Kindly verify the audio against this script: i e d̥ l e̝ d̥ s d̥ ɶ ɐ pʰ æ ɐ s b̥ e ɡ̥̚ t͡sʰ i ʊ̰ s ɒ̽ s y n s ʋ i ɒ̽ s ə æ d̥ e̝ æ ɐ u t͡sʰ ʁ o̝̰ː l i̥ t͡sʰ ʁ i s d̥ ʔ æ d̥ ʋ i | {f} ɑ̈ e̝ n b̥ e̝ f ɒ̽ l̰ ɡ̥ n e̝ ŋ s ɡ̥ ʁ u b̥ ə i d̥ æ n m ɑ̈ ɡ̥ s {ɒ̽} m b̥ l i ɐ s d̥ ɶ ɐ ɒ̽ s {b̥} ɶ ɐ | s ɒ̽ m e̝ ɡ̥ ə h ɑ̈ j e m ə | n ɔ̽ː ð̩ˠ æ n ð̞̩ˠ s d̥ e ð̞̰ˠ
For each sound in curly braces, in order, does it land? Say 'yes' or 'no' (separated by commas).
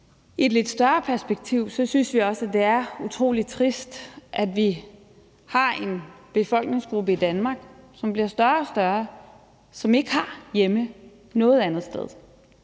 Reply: no, yes, no